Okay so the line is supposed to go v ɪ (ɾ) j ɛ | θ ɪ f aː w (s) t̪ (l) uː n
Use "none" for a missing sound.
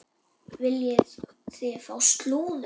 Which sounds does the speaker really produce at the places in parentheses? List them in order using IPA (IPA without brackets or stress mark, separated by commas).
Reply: l, s, l